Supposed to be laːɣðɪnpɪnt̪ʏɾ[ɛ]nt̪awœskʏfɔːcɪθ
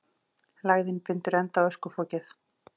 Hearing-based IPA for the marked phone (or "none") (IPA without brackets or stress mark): ɛ